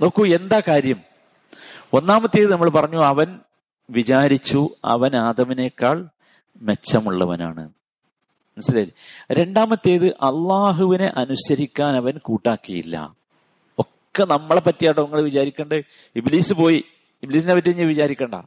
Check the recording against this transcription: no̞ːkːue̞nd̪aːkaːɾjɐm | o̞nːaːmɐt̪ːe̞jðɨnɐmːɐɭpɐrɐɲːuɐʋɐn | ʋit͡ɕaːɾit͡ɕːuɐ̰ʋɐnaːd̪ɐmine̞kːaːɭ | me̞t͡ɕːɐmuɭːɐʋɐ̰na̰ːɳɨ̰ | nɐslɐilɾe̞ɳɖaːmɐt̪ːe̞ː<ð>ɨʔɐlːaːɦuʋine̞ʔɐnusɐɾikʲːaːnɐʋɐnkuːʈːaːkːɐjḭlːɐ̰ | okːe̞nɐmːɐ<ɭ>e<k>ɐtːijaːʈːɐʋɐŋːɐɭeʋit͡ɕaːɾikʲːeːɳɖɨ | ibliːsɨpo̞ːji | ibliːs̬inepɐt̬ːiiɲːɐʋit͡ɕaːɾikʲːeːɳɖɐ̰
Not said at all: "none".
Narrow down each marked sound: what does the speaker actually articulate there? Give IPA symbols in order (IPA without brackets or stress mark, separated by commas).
ð, ɭ, p